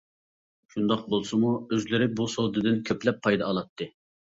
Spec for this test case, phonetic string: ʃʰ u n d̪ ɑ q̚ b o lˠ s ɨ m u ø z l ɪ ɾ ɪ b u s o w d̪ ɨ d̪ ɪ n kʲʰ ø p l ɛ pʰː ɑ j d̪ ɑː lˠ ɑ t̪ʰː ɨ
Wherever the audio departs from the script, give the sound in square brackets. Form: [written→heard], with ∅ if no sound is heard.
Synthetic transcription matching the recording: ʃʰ u n d̪ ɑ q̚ b o lˠ s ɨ m u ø z l ɪ ɾ ɪ b u s o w d̪ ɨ d̪ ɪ n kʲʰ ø p l ɛ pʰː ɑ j d̪ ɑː lˠ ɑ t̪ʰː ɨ